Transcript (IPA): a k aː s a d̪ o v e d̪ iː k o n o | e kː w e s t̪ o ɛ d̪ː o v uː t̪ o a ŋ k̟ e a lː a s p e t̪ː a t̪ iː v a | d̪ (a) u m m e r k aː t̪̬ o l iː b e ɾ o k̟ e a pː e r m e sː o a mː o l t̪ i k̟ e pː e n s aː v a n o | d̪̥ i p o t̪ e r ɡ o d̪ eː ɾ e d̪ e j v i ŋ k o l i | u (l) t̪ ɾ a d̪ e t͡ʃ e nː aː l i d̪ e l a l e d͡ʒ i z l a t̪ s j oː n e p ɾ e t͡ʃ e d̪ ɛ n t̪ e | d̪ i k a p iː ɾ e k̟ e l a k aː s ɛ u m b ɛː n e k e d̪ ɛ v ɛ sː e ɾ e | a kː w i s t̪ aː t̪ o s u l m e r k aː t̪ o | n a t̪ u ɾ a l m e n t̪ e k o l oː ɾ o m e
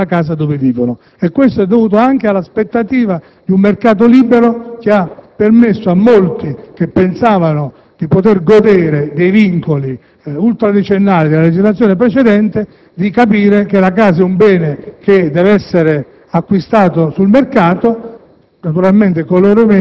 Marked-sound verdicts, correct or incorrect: incorrect: i, correct

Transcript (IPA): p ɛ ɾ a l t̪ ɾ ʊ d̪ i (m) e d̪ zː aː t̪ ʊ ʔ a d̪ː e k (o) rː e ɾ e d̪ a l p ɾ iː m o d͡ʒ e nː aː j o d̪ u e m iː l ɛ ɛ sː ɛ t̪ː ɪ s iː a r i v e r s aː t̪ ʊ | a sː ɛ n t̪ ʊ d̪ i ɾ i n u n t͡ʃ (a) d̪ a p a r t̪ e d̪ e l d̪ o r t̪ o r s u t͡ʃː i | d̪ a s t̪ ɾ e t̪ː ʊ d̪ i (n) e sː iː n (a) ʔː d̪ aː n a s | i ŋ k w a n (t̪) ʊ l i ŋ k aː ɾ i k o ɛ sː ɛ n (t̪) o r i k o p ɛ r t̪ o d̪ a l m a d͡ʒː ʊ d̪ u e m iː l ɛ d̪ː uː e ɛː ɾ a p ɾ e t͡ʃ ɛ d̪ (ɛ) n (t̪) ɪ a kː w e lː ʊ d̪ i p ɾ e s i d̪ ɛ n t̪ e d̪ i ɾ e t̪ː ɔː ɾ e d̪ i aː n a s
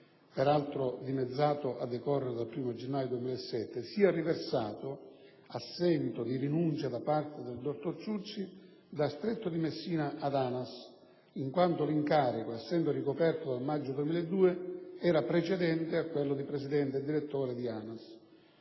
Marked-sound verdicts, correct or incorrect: correct, incorrect: ɔ, correct, incorrect: m, correct, correct, incorrect: d̪, correct, correct

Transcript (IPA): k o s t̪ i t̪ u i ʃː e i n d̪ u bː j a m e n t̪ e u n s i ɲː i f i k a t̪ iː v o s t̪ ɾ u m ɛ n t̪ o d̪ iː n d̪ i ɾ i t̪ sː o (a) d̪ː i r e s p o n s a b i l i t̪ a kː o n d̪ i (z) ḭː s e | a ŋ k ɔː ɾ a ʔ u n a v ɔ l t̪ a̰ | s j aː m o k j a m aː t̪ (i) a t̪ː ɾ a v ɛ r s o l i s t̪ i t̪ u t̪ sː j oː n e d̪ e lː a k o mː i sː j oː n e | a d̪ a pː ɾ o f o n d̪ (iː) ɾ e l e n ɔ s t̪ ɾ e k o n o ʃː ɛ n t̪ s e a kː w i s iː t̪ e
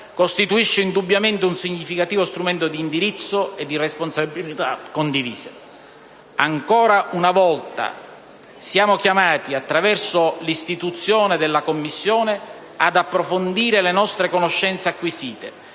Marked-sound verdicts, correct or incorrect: incorrect: e, incorrect: v, correct, correct

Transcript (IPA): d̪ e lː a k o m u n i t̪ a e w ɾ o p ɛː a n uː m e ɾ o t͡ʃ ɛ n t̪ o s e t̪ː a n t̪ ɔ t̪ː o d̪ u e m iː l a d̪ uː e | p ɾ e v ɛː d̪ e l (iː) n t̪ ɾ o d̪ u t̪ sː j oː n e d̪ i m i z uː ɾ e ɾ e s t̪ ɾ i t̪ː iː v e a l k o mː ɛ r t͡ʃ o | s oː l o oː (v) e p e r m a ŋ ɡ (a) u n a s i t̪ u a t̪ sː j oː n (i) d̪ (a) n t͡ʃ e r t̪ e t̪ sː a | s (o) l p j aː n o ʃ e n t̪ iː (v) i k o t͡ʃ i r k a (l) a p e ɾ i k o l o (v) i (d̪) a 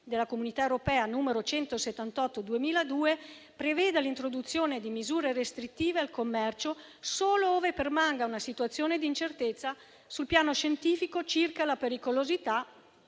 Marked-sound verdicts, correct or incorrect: incorrect: i, correct, correct, incorrect: e, incorrect: i, incorrect: u, incorrect: f, correct, incorrect: z, incorrect: t̪

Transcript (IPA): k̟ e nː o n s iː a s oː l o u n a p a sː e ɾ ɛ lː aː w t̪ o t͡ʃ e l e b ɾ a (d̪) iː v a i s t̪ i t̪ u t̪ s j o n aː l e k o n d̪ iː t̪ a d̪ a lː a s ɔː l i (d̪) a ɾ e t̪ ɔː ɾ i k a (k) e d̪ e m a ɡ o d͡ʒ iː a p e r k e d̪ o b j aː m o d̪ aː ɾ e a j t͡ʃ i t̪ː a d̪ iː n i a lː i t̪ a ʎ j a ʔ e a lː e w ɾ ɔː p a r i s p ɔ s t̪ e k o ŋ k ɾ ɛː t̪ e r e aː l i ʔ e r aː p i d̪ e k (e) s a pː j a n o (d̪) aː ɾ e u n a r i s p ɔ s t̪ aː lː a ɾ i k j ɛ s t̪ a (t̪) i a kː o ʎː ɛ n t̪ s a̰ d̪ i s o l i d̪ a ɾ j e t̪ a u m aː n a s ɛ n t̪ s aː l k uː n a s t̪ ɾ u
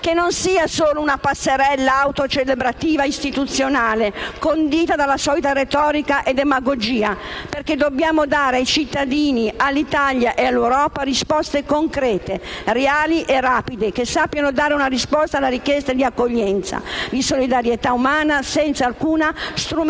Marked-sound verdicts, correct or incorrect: incorrect: t̪, incorrect: t̪, incorrect: ʔ, correct, correct, incorrect: d̪

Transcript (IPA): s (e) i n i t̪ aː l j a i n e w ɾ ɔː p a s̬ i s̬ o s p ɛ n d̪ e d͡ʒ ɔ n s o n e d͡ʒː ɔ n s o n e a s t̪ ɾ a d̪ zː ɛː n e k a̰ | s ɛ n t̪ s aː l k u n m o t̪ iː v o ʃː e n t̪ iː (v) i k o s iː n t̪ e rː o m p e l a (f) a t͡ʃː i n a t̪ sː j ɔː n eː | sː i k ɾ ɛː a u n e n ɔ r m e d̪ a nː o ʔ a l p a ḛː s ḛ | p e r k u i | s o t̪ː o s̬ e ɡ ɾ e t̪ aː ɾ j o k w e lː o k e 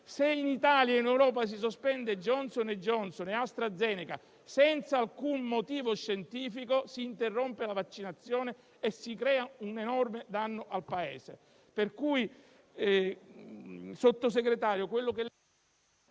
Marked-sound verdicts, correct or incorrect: correct, incorrect: f, incorrect: v

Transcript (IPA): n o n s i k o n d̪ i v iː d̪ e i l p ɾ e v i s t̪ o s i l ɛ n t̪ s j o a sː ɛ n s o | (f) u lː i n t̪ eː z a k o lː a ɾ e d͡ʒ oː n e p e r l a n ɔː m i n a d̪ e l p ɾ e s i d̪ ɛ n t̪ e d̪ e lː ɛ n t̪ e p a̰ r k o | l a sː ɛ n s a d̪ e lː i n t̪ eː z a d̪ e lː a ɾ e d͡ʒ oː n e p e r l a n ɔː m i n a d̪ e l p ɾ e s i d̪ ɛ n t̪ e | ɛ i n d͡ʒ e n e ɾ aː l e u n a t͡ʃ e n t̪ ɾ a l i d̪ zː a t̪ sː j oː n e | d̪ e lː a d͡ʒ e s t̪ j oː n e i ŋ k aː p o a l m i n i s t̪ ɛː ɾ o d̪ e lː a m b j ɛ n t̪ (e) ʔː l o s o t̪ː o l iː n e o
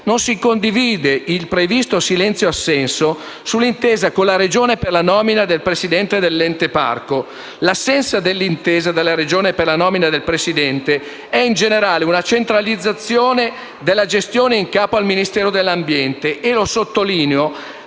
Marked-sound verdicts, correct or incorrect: incorrect: s, correct

